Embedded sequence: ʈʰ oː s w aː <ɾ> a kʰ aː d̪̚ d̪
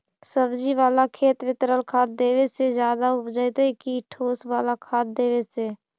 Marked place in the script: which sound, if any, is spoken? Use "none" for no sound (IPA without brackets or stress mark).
l